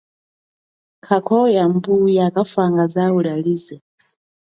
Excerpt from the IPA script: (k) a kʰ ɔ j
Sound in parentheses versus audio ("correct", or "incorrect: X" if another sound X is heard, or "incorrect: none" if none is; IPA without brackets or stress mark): incorrect: kʰ